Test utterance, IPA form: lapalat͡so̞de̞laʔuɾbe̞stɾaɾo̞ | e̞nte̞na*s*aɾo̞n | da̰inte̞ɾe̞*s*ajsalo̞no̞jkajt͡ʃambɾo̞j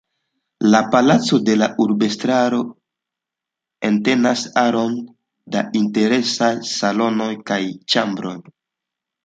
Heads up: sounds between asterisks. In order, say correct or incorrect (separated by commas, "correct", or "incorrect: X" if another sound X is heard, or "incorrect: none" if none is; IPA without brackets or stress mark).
correct, correct